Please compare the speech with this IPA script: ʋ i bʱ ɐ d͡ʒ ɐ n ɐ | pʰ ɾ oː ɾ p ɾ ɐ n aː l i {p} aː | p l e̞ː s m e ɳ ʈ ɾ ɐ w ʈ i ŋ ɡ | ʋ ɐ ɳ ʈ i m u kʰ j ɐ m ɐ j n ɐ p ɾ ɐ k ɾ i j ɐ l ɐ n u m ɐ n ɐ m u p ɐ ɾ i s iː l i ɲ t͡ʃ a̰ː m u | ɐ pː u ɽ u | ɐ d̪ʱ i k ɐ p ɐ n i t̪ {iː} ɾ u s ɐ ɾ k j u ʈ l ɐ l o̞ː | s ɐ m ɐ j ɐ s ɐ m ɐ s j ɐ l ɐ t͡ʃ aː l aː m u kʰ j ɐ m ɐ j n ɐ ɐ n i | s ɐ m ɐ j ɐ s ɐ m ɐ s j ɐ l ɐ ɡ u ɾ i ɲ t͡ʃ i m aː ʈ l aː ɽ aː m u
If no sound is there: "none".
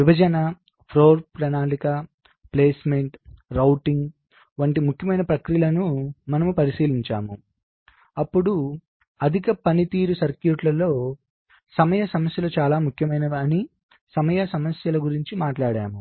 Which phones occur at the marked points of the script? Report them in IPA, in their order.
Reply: k, iː

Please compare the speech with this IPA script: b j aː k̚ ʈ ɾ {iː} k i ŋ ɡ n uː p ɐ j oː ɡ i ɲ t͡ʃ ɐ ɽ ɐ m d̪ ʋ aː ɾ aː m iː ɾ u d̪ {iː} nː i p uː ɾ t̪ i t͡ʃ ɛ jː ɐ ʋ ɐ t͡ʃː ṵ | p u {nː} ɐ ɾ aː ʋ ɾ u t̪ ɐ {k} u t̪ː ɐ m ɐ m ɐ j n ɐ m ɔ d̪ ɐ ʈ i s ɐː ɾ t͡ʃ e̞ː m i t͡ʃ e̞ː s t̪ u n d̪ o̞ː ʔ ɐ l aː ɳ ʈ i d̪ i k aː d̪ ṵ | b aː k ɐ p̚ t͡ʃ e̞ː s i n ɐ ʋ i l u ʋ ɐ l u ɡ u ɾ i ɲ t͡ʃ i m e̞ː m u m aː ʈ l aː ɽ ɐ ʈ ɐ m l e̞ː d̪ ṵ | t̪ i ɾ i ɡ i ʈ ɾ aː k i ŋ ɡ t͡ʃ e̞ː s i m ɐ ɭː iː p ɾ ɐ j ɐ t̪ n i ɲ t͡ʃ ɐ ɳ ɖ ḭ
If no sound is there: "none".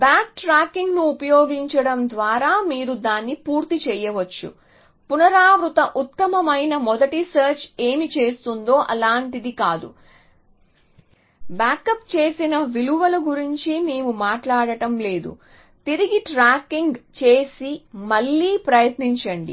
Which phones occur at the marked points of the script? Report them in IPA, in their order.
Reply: aː, aː, n, ʔ

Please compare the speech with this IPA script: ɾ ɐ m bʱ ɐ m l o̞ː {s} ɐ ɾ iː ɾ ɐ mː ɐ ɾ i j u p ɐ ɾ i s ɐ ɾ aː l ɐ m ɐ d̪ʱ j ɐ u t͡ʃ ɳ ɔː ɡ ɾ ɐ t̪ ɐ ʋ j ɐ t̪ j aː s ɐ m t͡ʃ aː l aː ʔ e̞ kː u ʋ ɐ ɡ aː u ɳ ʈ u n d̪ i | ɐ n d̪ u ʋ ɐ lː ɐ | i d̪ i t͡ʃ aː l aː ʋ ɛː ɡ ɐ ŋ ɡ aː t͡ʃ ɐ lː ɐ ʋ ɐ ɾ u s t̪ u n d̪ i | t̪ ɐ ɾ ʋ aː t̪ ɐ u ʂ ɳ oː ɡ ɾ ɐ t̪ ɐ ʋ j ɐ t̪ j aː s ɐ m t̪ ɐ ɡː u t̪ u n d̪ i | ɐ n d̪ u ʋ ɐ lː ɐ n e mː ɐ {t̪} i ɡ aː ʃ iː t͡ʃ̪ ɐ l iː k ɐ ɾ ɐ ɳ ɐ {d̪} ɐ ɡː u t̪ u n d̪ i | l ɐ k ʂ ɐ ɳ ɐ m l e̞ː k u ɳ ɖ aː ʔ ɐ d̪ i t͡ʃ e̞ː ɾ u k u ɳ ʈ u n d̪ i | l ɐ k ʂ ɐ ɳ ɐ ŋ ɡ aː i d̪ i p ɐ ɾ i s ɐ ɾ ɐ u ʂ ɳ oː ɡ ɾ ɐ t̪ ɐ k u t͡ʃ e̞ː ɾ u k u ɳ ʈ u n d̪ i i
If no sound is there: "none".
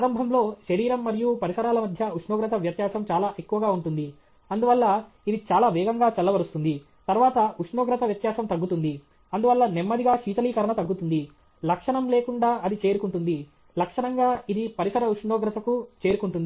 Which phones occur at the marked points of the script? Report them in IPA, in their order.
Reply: ʃ, d̪, t̪

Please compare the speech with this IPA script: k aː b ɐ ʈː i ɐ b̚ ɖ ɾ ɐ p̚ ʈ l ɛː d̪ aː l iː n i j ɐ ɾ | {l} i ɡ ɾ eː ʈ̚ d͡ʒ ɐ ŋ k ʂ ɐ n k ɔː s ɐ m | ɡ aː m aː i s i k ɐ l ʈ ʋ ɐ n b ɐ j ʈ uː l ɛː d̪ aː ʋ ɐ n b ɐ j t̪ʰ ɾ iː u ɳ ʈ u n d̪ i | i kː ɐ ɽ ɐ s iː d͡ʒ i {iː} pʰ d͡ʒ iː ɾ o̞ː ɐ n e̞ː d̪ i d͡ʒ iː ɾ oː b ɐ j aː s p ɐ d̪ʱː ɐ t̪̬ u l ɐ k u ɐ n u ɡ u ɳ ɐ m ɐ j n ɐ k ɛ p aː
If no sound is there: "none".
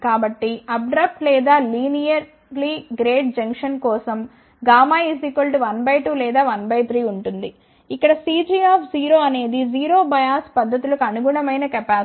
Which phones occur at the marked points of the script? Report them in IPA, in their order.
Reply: l, aː

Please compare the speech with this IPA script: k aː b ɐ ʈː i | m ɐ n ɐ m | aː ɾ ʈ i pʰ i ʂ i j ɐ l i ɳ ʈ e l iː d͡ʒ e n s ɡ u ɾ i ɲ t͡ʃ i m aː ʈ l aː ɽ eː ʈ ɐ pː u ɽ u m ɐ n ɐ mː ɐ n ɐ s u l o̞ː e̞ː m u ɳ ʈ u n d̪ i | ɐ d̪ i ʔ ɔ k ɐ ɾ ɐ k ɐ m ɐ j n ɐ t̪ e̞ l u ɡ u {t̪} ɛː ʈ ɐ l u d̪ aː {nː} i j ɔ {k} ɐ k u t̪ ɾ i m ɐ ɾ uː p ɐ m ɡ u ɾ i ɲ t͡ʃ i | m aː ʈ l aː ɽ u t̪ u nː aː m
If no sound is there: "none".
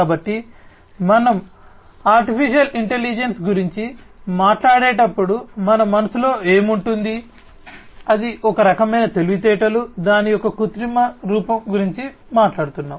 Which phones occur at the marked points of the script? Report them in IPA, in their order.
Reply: t̪, n, k

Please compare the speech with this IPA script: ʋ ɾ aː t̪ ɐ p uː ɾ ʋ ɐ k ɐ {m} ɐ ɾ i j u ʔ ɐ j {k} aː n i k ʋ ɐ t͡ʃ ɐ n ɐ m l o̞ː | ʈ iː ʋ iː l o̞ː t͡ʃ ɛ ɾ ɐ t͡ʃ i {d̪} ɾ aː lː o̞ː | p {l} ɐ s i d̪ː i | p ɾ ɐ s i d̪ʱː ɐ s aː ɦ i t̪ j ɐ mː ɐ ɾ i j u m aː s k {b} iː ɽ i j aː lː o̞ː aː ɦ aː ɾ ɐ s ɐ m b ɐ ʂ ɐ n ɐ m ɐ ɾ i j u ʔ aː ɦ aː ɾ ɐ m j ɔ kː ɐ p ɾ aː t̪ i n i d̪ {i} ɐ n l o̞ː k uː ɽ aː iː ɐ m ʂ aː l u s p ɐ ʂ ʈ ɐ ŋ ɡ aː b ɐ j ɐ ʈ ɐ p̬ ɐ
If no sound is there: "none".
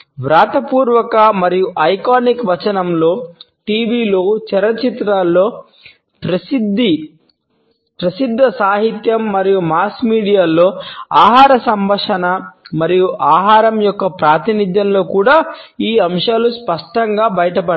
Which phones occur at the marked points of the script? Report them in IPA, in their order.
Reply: m, k, t̪, ɾ, m, j

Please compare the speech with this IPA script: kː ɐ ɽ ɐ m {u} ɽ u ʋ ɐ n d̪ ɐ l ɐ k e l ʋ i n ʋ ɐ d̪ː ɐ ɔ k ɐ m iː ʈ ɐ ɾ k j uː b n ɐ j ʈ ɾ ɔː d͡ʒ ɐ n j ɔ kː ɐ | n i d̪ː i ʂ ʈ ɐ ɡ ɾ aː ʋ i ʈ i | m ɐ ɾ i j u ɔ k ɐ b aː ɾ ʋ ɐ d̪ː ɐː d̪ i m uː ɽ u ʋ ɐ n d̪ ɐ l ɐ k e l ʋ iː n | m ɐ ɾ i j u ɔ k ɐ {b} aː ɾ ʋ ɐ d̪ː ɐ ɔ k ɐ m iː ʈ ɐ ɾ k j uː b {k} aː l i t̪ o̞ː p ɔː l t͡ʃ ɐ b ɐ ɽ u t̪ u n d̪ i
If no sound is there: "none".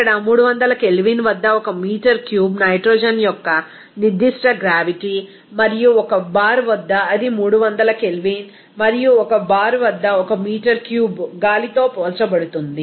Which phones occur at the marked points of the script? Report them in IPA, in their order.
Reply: uː, b, ɡ

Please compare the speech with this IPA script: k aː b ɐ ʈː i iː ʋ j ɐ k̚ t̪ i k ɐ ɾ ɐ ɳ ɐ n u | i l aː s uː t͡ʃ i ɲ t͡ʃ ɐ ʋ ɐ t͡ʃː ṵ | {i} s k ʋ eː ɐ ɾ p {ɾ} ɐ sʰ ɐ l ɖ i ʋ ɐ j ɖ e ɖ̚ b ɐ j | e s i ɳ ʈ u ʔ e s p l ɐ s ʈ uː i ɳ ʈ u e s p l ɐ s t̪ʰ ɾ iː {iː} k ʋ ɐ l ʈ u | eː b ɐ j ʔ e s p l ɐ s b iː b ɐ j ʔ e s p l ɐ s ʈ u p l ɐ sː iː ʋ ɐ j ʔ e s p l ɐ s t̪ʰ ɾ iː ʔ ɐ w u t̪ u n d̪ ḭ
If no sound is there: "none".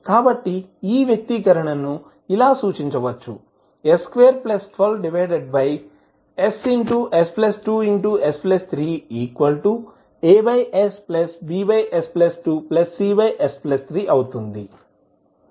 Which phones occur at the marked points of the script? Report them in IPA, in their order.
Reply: e, l, iː

